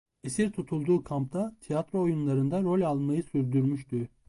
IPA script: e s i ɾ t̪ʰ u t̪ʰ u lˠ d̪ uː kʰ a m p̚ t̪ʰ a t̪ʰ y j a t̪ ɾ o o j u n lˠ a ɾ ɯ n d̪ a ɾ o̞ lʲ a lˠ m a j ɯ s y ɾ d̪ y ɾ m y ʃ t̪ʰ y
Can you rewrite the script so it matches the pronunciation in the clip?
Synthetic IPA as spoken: e s i ɾ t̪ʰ u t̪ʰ u lˠ d̪ uː kʰ a m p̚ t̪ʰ a t̪ʰ i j a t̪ ɾ o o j u n lˠ a ɾ ɯ n d̪ a ɾ o̞ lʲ a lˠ m a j ɯ s y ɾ d̪ y ɾ m y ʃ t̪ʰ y